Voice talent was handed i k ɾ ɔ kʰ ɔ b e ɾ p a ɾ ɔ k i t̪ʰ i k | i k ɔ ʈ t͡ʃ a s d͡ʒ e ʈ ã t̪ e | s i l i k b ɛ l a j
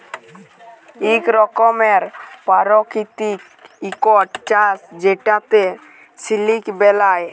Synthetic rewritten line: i k ɾ ɔ k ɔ m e ɾ p a ɾ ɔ k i t̪ i k | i k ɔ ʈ t͡ʃ a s d͡ʒ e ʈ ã t̪ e | s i l i k b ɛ l a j